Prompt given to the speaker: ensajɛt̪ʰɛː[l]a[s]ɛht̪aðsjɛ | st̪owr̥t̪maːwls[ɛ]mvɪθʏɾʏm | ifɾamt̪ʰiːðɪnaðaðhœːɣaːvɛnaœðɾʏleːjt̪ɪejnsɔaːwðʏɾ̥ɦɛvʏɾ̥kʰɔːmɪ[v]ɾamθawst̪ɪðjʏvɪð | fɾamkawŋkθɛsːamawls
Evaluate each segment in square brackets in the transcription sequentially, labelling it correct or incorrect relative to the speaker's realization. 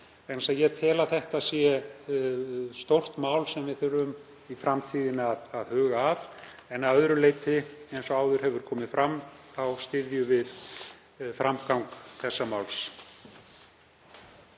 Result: correct, incorrect, correct, incorrect

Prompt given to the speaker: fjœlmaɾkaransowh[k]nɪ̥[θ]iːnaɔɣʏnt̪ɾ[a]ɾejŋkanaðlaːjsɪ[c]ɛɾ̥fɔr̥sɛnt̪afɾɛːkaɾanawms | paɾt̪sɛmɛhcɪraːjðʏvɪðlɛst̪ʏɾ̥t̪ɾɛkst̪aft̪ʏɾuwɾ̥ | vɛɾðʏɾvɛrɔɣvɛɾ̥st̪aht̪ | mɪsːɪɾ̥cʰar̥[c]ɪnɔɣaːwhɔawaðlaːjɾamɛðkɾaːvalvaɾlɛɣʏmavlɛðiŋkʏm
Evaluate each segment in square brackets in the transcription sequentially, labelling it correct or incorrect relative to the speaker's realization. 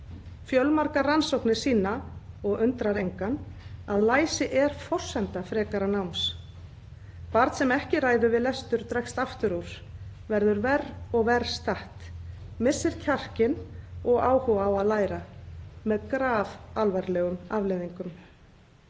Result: correct, incorrect, correct, incorrect, correct

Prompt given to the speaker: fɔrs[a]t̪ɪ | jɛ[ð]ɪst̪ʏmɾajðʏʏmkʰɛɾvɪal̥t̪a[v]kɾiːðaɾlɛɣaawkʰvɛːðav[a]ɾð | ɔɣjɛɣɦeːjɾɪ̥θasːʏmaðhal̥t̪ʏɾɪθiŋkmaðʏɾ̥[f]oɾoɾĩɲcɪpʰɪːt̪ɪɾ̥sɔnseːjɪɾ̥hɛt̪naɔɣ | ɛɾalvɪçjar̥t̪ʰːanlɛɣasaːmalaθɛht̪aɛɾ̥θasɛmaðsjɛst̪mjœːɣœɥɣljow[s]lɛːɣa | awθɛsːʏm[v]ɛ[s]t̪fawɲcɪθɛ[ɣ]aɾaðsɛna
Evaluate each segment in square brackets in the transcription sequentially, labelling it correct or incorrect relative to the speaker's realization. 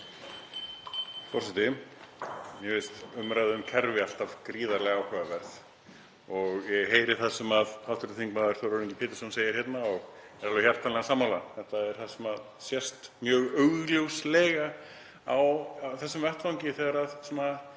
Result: incorrect, incorrect, correct, incorrect, incorrect, correct, correct, incorrect, correct

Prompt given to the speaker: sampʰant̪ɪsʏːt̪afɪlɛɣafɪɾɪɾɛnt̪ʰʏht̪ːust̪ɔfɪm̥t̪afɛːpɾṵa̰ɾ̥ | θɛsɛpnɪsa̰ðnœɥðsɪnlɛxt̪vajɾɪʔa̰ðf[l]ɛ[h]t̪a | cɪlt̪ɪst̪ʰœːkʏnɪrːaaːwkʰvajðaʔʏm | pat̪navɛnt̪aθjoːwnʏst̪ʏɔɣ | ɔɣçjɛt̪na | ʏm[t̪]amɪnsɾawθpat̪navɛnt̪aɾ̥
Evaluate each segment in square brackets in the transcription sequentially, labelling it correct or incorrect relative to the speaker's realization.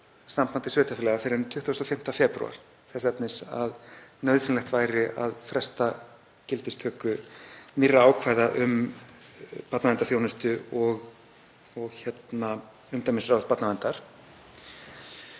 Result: incorrect, incorrect, correct

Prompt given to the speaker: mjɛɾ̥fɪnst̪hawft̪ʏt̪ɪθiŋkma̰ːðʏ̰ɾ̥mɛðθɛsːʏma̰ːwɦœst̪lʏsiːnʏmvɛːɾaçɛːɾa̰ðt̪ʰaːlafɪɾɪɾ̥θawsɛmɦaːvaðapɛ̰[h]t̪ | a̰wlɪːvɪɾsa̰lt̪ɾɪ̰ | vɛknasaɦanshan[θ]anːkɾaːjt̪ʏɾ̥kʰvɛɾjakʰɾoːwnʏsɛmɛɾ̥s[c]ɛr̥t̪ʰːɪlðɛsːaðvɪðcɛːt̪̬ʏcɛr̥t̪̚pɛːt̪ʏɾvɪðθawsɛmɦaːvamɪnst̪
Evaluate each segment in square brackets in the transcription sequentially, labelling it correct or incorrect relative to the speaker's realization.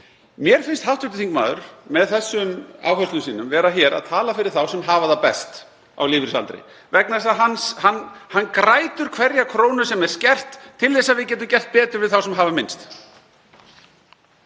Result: incorrect, incorrect, correct

